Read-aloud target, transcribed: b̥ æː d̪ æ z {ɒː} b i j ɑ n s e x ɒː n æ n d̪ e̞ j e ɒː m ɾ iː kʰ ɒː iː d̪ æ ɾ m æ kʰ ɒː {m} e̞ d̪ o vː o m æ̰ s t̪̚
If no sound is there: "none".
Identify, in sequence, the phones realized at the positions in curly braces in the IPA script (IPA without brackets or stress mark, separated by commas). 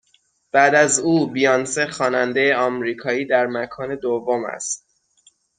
uː, n